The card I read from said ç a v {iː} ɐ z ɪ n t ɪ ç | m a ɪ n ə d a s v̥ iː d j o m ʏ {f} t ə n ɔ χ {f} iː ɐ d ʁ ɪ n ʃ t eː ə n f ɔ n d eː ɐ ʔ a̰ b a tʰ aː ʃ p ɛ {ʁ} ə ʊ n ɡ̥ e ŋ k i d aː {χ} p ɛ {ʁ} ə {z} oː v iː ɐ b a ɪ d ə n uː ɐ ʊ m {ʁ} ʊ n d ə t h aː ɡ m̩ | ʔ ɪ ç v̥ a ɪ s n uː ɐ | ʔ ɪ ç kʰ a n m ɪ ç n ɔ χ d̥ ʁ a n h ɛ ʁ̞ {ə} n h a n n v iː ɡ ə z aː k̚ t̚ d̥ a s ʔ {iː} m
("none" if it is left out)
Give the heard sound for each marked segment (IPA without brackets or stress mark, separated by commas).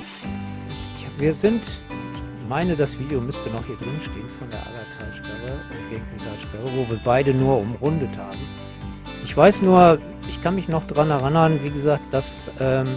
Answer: iː, s, h, ʁ, ʃ, ʁ, v, ʁ, a, ɛː